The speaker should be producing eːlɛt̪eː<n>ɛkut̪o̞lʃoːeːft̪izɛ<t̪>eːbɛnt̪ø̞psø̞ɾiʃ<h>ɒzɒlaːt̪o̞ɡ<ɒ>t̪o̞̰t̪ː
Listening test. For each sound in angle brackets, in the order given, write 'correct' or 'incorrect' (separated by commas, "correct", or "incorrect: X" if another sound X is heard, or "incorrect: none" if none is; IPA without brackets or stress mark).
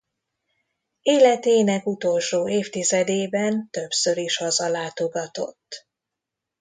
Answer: correct, incorrect: d̪, correct, correct